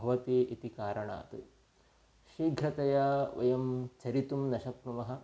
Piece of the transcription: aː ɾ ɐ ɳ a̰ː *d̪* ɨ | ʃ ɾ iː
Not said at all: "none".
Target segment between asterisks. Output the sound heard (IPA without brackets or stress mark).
t̪